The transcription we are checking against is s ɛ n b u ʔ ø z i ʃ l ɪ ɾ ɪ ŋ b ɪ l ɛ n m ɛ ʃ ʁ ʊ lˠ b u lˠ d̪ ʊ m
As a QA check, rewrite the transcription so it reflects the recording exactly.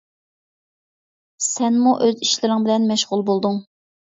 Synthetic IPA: s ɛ n m u ʔ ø z i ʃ l ɪ ɾ ɪ ŋ b ɪ l ɛ n m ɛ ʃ ʁ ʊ lˠ b o lˠ d̪ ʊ ŋ